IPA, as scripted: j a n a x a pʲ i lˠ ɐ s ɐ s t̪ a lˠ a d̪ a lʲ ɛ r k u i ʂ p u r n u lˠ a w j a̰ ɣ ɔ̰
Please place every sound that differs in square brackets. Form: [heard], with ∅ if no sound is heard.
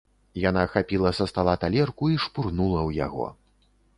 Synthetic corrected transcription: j a n a x a pʲ i lˠ ɐ s ɐ s t̪ a lˠ a [t̪] a lʲ ɛ r k u i ʂ p u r n u lˠ [ɐ] w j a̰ ɣ ɔ̰